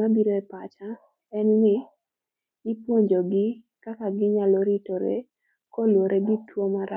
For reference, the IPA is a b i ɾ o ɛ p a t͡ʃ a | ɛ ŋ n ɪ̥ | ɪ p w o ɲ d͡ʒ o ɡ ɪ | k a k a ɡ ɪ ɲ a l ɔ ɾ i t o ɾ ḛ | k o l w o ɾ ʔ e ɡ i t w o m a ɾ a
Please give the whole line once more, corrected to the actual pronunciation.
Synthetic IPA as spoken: a b i ɾ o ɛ p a t͡ʃ a | ɛ n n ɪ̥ | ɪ p w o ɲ d͡ʒ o ɡ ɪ | k a k a ɡ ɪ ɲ a l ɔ ɾ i t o ɾ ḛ | k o l w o ɾ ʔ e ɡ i t w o m a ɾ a